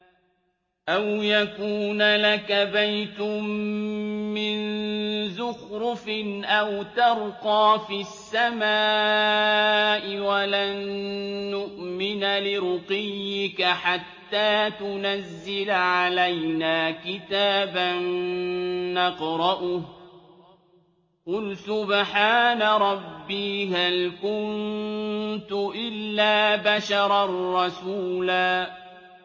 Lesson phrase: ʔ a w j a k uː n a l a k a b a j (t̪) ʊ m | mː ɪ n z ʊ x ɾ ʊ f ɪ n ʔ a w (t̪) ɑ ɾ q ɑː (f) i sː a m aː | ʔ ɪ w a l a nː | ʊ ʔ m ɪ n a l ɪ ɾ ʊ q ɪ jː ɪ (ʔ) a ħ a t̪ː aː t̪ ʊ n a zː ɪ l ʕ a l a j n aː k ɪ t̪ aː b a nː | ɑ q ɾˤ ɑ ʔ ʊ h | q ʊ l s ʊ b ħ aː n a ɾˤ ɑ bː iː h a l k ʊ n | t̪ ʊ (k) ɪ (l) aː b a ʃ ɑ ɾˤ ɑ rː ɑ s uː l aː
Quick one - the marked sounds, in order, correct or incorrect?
correct, correct, correct, incorrect: k, incorrect: ʔ, incorrect: lː

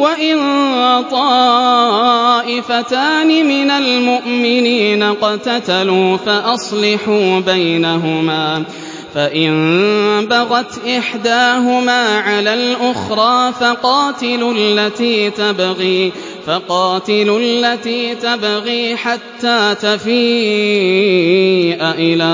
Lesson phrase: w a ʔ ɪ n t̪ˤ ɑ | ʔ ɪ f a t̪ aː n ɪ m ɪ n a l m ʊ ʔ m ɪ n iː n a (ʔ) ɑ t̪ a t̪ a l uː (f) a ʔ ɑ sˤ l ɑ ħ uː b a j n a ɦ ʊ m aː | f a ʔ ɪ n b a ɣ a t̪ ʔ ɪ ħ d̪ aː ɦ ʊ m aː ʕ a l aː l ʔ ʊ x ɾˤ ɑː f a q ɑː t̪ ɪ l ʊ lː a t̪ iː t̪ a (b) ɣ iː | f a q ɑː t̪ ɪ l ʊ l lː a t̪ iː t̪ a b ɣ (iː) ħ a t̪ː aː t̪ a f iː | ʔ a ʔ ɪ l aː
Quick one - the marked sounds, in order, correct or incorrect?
incorrect: q, correct, correct, correct

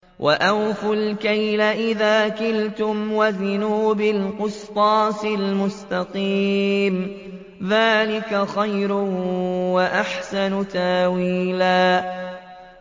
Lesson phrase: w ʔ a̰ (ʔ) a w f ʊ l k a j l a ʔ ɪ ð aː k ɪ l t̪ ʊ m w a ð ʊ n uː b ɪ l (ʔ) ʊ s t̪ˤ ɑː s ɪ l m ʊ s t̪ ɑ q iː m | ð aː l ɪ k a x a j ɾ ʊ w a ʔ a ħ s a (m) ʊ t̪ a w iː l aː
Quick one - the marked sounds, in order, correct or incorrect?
correct, incorrect: q, incorrect: n

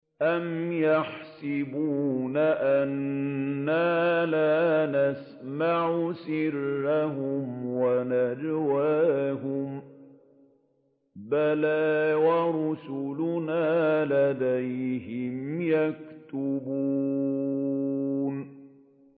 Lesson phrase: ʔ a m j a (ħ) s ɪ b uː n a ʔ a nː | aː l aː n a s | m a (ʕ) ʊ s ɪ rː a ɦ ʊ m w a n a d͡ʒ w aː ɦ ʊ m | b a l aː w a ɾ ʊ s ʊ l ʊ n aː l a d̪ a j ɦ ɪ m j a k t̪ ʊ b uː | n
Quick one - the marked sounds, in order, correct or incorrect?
correct, correct

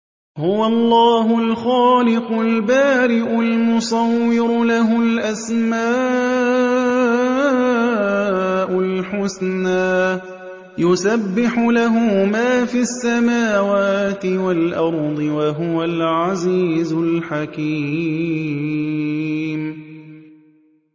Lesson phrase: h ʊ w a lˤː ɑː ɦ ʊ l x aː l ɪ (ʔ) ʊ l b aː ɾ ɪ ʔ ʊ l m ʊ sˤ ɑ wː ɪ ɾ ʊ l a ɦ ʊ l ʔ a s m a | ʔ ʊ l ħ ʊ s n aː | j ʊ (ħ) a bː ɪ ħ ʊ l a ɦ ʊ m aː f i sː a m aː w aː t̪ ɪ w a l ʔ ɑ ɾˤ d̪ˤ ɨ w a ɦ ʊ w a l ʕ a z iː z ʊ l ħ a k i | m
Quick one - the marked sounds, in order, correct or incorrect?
incorrect: q, incorrect: s

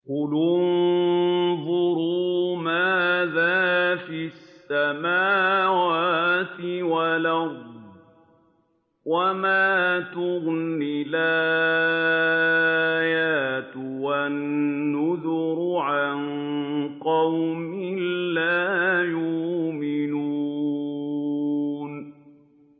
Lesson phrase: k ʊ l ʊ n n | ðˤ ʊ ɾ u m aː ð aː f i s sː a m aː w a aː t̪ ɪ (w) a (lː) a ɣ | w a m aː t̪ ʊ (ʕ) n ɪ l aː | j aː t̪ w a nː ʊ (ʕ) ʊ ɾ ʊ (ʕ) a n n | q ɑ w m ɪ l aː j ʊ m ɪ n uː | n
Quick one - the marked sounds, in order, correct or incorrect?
correct, incorrect: l, incorrect: ɣ, incorrect: ð, correct

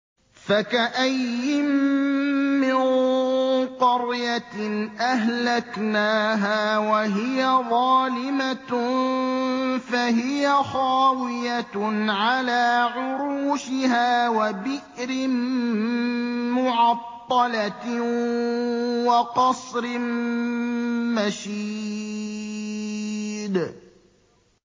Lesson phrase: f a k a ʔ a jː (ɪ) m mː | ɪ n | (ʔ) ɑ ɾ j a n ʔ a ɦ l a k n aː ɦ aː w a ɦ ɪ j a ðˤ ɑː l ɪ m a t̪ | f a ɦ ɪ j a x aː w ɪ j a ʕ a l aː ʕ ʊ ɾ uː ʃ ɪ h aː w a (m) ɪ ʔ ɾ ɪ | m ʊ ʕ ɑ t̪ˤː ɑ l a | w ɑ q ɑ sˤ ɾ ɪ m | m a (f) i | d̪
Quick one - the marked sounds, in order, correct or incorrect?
correct, incorrect: q, incorrect: b, incorrect: ʃ

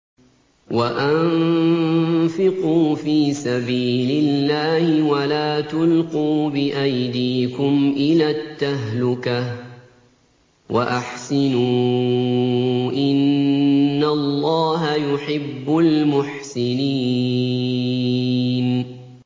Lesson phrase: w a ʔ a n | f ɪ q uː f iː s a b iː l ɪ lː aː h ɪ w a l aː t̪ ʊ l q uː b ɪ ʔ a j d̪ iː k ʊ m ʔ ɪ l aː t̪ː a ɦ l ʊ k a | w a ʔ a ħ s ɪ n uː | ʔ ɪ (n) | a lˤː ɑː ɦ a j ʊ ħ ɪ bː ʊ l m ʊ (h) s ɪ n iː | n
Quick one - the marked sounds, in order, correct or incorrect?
incorrect: nː, incorrect: ħ

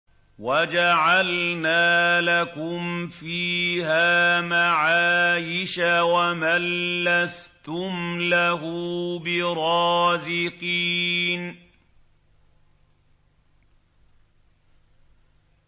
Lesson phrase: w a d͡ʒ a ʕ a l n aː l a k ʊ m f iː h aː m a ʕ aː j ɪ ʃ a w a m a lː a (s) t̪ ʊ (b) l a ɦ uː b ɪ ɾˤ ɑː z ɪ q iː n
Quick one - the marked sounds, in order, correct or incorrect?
correct, incorrect: m

